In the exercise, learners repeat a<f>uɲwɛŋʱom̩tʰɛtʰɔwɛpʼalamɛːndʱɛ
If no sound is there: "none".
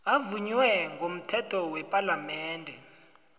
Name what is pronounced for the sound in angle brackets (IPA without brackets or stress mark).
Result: v